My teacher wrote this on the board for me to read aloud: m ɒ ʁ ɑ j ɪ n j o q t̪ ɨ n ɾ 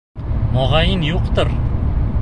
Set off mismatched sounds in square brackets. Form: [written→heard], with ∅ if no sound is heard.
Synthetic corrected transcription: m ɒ ʁ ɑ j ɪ n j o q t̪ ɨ [n→∅] ɾ